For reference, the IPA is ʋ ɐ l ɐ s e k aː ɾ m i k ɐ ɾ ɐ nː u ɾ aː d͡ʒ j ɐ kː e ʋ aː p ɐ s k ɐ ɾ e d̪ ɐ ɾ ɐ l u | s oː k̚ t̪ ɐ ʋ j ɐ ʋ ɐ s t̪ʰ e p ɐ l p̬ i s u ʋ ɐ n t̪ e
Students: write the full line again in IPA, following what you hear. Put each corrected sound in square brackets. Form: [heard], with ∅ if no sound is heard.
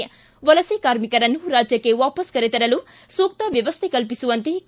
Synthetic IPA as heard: ʋ ɐ l ɐ s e k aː ɾ m i k ɐ ɾ ɐ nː u ɾ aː d͡ʒ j ɐ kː e ʋ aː p ɐ s k ɐ ɾ e [t̪] ɐ ɾ ɐ l u | s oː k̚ t̪ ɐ ʋ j ɐ ʋ ɐ s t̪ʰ e [k] ɐ l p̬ i s u ʋ ɐ n t̪ e